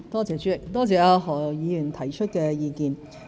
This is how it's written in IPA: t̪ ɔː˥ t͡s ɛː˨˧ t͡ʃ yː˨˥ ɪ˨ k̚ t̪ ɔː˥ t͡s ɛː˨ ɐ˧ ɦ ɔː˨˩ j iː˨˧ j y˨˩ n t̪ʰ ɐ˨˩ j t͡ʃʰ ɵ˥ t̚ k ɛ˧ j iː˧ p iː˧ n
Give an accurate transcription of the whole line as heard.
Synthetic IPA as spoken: t̪ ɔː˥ t͡s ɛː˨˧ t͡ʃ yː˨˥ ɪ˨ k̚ t̪ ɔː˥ t͡s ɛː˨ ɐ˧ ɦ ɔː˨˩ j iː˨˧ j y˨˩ n t̪ʰ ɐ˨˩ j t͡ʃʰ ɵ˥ t̚ k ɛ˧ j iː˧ k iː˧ n